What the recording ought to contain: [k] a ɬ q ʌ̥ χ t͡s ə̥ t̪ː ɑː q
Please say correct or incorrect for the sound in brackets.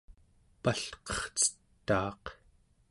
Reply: incorrect